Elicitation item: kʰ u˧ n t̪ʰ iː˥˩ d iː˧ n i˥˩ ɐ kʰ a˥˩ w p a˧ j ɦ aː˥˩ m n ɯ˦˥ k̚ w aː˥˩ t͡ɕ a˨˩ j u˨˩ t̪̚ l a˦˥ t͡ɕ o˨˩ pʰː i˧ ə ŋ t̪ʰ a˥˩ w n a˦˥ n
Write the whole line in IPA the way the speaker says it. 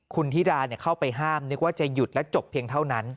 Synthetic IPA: kʰ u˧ n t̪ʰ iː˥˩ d aː˧ n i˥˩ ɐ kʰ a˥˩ w p a˧ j ɦ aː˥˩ m n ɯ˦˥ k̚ w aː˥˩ t͡ɕ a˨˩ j u˨˩ t̪̚ l ɛ˦˥ t͡ɕ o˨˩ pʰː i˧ ə ŋ t̪ʰ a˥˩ w n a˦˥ n